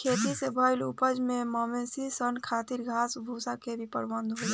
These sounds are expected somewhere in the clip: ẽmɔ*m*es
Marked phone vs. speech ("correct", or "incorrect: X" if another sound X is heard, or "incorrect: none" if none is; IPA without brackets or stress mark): correct